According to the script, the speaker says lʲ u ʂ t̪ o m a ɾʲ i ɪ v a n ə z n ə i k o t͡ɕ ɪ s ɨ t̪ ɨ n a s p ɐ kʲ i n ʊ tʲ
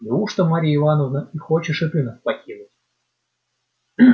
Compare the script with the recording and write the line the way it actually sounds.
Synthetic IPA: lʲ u ʂ t̪ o m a ɾʲ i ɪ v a n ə v n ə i x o t͡ɕ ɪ ʂ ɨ t̪ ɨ n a s p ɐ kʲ i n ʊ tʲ